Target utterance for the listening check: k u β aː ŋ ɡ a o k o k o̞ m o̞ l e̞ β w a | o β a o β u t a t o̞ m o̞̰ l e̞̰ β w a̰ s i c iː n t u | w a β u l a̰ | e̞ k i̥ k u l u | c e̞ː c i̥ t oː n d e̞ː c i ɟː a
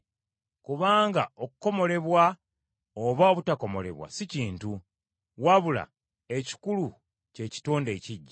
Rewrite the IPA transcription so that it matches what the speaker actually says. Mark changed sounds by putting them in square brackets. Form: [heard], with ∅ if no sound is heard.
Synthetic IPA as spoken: k u β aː ŋ ɡ a o k [u] k o̞ m o̞ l e̞ β w a | o β a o β u t a [k] o̞ m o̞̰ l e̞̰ β w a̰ s i c iː n t u | w a β u l a̰ | e̞ [c] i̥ k u l u | c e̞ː c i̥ t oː n d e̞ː c i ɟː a

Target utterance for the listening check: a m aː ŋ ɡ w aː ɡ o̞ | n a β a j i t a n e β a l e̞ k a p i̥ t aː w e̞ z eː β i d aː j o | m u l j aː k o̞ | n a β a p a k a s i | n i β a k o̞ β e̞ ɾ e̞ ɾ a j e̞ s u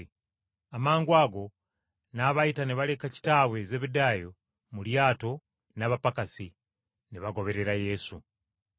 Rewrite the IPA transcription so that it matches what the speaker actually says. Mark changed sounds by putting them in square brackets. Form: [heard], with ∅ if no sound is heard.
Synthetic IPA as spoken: a m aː ŋ ɡ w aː ɡ o̞ | n a β a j i t a n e β a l e̞ k a [c] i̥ t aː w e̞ z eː β i d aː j o | m u l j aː [t] o̞ | n a β a p a k a s i | n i β a [ɡ] o̞ β e̞ ɾ e̞ ɾ a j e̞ s u

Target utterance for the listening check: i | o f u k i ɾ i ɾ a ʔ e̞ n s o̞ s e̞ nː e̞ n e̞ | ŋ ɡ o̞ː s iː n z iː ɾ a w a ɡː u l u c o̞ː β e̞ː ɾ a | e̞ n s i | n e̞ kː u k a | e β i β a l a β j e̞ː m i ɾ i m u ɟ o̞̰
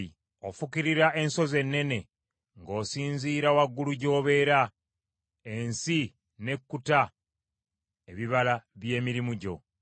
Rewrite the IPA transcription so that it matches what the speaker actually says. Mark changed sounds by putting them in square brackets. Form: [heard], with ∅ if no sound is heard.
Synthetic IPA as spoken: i | o f u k i ɾ i ɾ a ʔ e̞ n s o̞ [z] e̞ nː e̞ n e̞ | ŋ ɡ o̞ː s iː n z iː ɾ a w a ɡː u l u [ɟ] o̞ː β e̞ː ɾ a | e̞ n s i | n e̞ kː u [t] a | e β i β a l a β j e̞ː m i ɾ i m u ɟ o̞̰

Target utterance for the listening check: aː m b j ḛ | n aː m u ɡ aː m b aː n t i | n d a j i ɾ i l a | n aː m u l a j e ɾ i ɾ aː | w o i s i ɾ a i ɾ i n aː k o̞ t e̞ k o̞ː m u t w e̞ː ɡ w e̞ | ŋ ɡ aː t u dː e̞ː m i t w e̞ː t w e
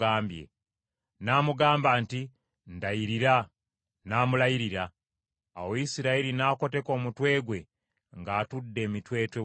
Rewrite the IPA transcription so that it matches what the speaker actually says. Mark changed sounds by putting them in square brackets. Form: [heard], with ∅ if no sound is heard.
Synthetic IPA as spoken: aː m b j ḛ | n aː m u ɡ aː m b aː n t i | n d a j i ɾ i [ɾ] a | n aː m u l a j [i] ɾ i ɾ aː | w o i s i ɾ a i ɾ i n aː k o̞ t e̞ k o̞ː m u t w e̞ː ɡ w e̞ | ŋ ɡ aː t u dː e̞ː m i t w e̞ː t w e

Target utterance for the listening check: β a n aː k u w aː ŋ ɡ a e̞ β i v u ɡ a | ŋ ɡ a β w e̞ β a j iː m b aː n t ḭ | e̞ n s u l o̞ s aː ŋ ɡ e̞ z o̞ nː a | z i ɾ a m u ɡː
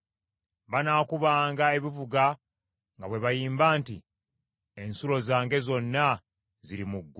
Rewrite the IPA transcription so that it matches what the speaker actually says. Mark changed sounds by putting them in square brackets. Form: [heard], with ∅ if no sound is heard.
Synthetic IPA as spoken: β a n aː k u [β] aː ŋ ɡ a e̞ β i v u ɡ a | ŋ ɡ a β w e̞ β a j iː m b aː n t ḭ | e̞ n s u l o̞ [z] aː ŋ ɡ e̞ z o̞ nː a | z i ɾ [i] m u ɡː

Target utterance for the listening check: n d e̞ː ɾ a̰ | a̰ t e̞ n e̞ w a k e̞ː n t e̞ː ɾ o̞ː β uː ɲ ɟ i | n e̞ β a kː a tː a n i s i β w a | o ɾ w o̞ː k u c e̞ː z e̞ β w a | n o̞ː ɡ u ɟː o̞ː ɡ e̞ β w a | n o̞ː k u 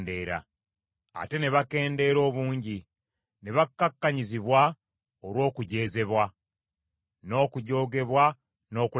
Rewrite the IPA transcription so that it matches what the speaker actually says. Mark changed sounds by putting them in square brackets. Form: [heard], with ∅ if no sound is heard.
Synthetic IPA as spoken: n d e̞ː ɾ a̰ | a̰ t e̞ n e̞ [β] a k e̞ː n [d] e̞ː ɾ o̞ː β uː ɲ ɟ i | n e̞ β a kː a [kː] a [ɲ] i [z] i β w a | o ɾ w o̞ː k u [ɟ] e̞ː z e̞ β w a | n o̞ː [k] u [ɟ] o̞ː ɡ e̞ β w a | n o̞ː k u

